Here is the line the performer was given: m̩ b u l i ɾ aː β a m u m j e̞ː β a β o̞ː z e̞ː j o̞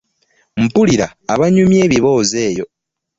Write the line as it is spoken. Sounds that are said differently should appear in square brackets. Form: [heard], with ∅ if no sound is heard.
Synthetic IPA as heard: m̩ [p] u l i ɾ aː β a [ɲ] u m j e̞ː β [i] β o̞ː z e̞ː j o̞